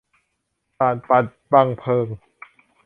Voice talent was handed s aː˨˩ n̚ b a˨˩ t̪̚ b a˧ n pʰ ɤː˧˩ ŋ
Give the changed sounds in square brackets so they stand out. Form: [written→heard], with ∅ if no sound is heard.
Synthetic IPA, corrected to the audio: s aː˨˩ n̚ [b→p] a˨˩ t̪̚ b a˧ [n→ŋ] pʰ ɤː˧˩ ŋ